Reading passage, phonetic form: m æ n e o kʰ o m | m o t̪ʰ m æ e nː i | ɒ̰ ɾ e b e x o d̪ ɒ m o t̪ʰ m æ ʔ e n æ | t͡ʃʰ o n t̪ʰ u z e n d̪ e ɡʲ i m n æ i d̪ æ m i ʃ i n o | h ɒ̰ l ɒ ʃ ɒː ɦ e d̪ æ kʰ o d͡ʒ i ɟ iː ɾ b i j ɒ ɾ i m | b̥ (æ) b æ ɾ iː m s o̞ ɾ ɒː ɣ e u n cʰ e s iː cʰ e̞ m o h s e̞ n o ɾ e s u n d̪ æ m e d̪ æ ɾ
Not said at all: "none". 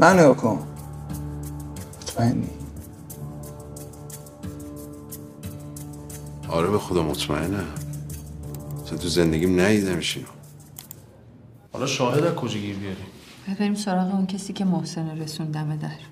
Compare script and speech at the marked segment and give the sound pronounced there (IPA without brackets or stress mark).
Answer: e